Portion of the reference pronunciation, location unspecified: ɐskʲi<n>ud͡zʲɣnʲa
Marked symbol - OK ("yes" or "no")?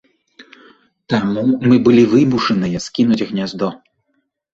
yes